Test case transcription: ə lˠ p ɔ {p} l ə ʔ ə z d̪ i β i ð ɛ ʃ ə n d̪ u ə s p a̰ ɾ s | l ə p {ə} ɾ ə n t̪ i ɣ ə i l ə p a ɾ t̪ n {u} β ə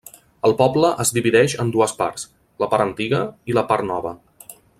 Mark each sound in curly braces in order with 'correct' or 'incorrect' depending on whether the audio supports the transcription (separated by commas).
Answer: incorrect, incorrect, incorrect